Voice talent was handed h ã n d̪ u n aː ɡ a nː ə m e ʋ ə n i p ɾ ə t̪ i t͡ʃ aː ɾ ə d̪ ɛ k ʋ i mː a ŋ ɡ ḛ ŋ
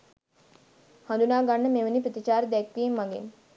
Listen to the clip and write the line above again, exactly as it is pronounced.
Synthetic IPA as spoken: h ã n d̪ u n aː ɡ a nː ə m e ʋ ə n i p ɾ ə t̪ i t͡ʃ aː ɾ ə d̪ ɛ k ʋ i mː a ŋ ɡ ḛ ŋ